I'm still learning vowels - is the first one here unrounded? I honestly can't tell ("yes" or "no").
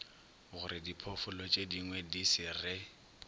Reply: no